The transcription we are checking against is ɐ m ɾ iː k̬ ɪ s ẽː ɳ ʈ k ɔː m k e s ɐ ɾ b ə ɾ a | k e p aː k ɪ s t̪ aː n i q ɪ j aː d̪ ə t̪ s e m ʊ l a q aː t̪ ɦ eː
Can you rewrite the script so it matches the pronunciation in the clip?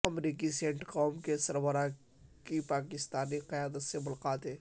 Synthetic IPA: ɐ m ɾ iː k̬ i s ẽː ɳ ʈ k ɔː m k e s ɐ ɾ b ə ɾ a | k i p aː k ɪ s t̪ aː n i q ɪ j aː d̪ ə t̪ s e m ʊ l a q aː t̪ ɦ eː